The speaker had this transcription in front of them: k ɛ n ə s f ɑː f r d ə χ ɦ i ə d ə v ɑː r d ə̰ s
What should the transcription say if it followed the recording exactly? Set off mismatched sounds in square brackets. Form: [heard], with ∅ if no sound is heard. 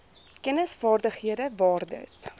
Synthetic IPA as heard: k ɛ n ə s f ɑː [∅] r d ə χ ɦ i ə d ə v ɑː r d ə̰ s